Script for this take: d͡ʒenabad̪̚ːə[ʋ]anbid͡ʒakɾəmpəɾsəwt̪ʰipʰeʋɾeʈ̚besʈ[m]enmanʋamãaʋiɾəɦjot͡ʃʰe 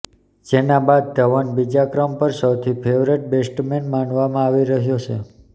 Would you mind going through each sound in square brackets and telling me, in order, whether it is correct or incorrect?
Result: correct, correct

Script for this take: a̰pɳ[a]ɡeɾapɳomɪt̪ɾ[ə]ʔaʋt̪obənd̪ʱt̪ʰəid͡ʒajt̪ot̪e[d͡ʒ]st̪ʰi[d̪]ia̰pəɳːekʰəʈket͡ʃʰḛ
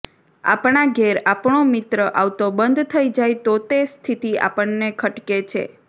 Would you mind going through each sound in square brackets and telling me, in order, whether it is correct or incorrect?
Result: correct, correct, incorrect: none, incorrect: t̪

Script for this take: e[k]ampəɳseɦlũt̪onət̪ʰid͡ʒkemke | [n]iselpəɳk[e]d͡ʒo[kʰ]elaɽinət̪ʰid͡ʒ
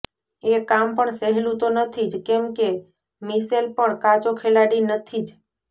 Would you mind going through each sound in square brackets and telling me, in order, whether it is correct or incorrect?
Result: correct, incorrect: m, incorrect: a, correct

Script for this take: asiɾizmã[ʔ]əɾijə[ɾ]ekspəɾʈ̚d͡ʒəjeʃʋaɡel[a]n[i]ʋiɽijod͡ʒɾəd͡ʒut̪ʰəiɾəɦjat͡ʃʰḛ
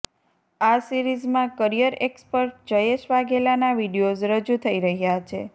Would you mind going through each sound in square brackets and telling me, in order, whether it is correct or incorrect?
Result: incorrect: k, correct, correct, incorrect: a

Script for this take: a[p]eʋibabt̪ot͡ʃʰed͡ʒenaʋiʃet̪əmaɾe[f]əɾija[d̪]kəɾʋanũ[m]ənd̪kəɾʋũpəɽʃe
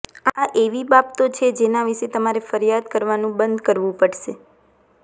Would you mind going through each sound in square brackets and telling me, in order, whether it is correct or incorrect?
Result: incorrect: ʔ, correct, correct, incorrect: b

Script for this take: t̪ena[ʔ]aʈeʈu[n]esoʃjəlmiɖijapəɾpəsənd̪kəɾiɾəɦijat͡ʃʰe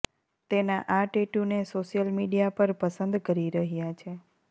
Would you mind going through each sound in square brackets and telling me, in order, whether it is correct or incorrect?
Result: correct, correct

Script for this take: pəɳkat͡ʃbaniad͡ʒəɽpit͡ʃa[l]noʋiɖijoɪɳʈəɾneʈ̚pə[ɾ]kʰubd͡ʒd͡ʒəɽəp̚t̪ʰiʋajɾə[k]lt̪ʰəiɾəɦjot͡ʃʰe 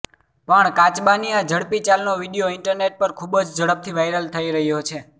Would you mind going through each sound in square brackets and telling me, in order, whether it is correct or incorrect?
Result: correct, correct, incorrect: none

